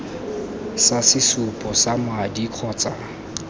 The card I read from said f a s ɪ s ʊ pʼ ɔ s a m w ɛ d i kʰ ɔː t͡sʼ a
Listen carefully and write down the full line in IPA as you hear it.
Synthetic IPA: s a s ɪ s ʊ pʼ ɔ s a m w a d i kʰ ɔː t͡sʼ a